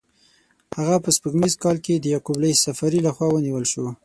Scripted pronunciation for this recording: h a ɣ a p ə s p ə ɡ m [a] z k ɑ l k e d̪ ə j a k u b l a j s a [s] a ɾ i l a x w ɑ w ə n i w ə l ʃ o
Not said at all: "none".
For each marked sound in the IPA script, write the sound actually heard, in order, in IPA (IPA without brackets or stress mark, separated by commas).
i, f